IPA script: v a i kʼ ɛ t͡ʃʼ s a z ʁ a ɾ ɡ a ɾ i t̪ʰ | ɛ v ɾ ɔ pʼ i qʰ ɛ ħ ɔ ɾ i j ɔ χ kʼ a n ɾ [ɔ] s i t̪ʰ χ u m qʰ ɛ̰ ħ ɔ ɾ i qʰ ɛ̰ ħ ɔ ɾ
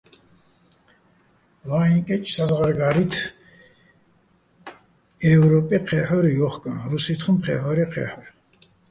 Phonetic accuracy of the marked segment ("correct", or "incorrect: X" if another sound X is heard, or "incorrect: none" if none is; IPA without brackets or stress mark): incorrect: u